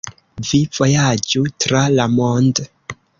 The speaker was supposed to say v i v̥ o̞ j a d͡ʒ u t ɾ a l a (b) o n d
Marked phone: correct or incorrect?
incorrect